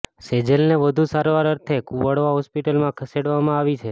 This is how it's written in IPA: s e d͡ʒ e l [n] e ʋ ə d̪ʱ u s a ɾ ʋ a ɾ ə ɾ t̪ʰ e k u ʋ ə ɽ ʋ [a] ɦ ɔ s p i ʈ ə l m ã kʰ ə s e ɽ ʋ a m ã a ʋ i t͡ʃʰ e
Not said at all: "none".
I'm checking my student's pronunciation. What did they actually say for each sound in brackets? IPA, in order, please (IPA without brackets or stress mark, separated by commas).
n, a